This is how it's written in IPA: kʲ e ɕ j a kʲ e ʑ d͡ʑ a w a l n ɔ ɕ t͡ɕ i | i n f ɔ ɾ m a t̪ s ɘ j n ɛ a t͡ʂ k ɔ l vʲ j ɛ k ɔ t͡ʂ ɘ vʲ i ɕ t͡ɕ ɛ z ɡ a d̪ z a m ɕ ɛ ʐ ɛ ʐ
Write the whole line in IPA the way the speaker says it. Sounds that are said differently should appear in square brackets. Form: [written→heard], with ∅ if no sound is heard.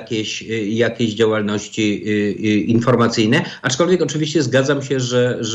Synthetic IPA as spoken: kʲ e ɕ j a kʲ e ʑ d͡ʑ a w a l n ɔ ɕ t͡ɕ i | i n f ɔ ɾ m a t̪ s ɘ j n ɛ a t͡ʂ k ɔ l vʲ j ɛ k ɔ t͡ʂ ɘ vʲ i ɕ t͡ɕ ɛ z ɡ a d̪ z a m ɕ ɛ ʐ ɛ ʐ